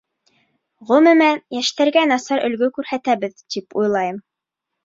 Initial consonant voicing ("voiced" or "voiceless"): voiced